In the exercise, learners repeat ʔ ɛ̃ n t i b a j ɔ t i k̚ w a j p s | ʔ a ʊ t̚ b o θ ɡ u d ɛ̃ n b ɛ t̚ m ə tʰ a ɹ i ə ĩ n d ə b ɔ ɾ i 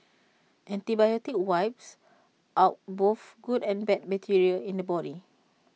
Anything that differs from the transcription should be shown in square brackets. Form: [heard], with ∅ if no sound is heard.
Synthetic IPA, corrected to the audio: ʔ ɛ̃ n t i b a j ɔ t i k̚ w a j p s | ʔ a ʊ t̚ b o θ ɡ u d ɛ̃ n b ɛ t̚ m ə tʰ [i] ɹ i ə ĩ n d ə b ɔ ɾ i